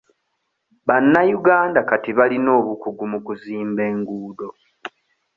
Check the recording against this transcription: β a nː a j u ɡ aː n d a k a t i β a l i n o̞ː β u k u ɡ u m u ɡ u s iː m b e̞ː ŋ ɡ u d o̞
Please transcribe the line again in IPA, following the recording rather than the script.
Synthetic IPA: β a nː a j u ɡ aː n d a k a t i β a l i n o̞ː β u k u ɡ u m u k u z iː m b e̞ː ŋ ɡ uː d o̞